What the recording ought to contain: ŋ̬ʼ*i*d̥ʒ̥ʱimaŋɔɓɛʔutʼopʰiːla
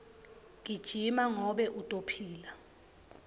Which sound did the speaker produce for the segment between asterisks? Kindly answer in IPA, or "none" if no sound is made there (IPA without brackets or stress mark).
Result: i